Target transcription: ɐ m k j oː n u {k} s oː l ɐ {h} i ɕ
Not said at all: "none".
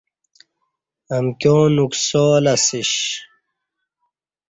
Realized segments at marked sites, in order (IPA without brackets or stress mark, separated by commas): k, s